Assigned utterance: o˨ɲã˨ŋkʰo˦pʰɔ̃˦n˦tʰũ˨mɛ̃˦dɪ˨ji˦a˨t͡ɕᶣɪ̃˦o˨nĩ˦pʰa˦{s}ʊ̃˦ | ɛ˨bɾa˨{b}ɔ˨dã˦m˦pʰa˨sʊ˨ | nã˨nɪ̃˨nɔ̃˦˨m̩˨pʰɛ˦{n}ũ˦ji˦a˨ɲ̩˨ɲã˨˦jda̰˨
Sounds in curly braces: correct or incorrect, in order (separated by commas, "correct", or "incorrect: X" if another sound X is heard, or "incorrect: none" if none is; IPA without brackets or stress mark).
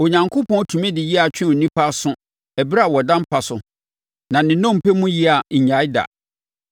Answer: correct, incorrect: w, incorrect: m